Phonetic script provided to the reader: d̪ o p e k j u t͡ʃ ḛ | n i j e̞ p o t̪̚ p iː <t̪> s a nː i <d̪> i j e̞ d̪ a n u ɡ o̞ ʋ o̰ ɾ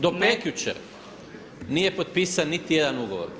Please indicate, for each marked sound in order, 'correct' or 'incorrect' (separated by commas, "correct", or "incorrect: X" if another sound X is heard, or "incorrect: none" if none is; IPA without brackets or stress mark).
incorrect: none, incorrect: t̪